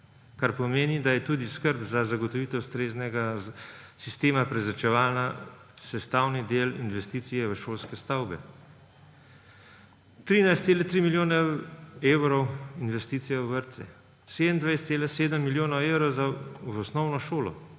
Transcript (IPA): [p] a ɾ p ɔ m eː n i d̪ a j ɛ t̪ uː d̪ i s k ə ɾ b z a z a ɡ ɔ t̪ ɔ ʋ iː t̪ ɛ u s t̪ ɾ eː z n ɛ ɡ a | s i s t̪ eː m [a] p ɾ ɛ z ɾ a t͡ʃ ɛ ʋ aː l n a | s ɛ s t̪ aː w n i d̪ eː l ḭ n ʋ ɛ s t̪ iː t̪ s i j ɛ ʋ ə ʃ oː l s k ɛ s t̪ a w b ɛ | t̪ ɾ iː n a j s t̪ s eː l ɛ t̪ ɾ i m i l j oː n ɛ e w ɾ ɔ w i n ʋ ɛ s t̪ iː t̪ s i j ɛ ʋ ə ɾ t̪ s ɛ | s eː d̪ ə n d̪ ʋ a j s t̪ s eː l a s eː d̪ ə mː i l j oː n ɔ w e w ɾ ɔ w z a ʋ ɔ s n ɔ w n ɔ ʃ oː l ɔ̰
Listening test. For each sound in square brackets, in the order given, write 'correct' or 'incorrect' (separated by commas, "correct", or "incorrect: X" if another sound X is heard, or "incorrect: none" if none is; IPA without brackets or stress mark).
incorrect: k, correct